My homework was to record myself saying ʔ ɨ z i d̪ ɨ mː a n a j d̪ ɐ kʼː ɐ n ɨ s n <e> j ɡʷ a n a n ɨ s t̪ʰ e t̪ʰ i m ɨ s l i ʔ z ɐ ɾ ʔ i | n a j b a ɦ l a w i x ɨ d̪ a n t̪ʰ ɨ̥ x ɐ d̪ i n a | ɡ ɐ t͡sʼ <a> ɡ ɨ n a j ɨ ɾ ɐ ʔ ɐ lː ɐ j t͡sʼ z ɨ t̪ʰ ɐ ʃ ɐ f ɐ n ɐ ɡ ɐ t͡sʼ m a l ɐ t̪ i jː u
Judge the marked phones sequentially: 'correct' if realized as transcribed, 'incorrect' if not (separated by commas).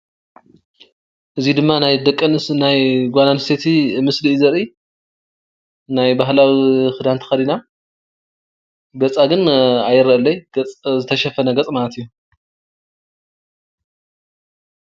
incorrect, correct